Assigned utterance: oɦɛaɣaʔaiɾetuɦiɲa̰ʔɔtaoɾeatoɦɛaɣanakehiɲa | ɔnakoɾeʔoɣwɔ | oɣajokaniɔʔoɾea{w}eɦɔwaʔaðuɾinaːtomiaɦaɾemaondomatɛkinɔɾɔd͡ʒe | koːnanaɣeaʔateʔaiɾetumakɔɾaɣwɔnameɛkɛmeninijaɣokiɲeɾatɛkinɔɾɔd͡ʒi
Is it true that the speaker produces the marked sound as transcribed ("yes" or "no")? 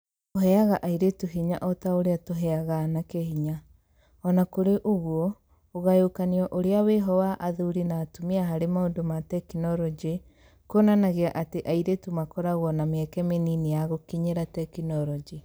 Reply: yes